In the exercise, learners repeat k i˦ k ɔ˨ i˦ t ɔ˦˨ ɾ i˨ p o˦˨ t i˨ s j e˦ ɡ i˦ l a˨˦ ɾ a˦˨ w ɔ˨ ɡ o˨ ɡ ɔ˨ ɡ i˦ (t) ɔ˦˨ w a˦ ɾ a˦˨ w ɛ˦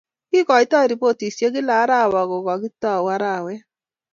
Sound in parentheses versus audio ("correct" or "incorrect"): correct